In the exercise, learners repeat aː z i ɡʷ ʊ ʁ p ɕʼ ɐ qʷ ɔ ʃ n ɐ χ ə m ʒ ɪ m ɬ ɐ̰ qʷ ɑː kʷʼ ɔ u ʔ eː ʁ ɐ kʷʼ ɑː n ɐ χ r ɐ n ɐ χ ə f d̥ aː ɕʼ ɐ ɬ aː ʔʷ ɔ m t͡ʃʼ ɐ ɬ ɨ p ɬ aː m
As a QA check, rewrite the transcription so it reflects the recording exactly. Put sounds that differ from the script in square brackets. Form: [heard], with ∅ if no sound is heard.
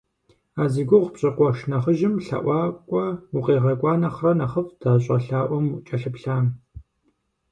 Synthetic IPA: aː z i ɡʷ ʊ ʁ p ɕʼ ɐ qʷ ɔ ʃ n ɐ χ ə [∅] ʒ ɪ m ɬ ɐ̰ [ʔʷ] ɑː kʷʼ ɔ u [q] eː ʁ ɐ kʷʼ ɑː n ɐ χ r ɐ n ɐ χ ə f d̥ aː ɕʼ ɐ ɬ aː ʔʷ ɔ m t͡ʃʼ ɐ ɬ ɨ p ɬ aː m

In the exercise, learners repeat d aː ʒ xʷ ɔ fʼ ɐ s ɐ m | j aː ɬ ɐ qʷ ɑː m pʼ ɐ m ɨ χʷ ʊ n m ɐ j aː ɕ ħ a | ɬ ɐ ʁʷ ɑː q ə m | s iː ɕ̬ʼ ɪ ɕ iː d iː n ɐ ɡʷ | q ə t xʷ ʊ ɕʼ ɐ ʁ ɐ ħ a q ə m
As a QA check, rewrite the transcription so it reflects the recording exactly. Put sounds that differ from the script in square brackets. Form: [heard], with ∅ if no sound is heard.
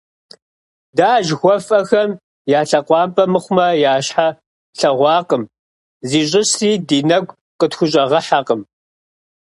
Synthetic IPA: d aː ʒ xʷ ɔ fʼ ɐ [x] ɐ m | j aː ɬ ɐ qʷ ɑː m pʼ ɐ m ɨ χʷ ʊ [∅] m ɐ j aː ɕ ħ a | ɬ ɐ ʁʷ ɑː q ə m | [z] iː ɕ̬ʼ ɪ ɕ iː d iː n ɐ ɡʷ | q ə t xʷ ʊ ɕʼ ɐ ʁ ɐ ħ a q ə m

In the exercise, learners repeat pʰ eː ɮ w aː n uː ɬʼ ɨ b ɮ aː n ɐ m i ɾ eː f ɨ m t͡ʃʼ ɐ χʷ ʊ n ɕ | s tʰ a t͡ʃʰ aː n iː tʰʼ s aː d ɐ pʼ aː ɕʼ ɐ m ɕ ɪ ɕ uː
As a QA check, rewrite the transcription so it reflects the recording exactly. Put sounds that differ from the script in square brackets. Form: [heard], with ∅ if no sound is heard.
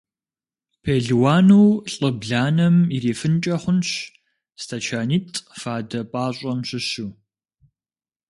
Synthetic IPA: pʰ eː ɮ w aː n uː ɬʼ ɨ b ɮ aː n ɐ m i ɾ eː f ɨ [n] t͡ʃʼ ɐ χʷ ʊ n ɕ | s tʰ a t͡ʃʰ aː n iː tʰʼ [f] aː d ɐ pʼ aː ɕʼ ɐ m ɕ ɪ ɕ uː

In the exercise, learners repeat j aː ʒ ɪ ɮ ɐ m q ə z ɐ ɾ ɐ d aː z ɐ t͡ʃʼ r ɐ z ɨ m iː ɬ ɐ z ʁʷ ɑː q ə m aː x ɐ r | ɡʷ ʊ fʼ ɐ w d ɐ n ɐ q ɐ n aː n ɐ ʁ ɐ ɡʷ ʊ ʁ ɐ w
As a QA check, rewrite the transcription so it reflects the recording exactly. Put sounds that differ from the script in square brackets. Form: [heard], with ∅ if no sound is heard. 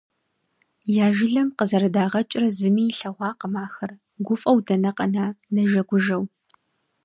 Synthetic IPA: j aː ʒ ɪ ɮ ɐ m q ə z ɐ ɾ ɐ d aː [ʁ] ɐ t͡ʃʼ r ɐ z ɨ m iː ɬ ɐ [∅] ʁʷ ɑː q ə m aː x ɐ r | ɡʷ ʊ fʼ ɐ w d ɐ n ɐ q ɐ n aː n ɐ [ʒ] ɐ ɡʷ ʊ [ʒ] ɐ w

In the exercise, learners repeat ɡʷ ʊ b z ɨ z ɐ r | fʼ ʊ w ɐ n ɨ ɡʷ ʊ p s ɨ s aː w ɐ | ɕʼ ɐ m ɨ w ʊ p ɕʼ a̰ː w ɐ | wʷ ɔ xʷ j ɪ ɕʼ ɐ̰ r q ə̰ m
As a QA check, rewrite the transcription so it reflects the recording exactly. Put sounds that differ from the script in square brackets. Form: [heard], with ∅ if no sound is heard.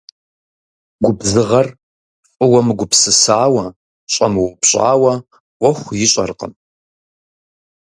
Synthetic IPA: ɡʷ ʊ b z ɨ [ʁ] ɐ r | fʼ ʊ w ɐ [m] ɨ ɡʷ ʊ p s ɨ s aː w ɐ | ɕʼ ɐ m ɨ w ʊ p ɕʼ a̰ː w ɐ | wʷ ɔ xʷ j ɪ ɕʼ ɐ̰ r q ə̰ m

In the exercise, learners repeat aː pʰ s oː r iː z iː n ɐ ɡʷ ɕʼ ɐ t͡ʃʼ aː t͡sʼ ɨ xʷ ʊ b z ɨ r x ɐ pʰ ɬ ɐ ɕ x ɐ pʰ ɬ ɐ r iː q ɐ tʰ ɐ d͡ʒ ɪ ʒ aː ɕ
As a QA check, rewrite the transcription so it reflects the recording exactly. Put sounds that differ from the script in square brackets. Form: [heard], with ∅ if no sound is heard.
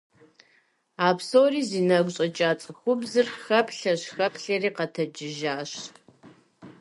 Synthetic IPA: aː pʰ s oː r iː z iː n ɐ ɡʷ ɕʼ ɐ t͡ʃʼ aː t͡sʼ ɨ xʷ ʊ b z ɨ r x ɐ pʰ ɬ ɐ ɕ x ɐ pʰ ɬ ɐ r iː q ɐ tʰ ɐ d͡ʒ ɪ ʒ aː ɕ

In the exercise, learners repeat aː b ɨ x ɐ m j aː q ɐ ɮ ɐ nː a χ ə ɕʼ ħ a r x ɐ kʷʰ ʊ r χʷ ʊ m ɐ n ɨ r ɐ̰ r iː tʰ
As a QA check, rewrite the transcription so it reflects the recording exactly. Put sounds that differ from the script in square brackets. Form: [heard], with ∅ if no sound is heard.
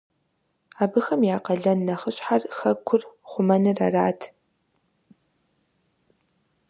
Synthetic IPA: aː b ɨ x ɐ m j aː q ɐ ɮ ɐ nː [ɐ] χ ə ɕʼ ħ a r x ɐ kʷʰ ʊ r χʷ ʊ m ɐ n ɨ r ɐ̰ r [aː] tʰ

